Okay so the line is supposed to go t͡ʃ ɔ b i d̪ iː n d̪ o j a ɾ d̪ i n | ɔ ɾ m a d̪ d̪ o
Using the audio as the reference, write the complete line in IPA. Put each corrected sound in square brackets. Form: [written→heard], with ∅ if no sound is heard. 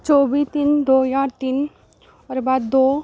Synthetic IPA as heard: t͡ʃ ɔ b i [d̪→t̪] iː n d̪ o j a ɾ [d̪→t̪] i n | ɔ ɾ [m→b] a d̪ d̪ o